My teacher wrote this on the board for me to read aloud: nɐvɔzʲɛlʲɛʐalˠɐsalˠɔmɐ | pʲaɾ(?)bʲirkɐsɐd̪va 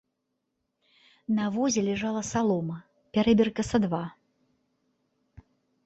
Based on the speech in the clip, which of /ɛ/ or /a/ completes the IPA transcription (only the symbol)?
ɛ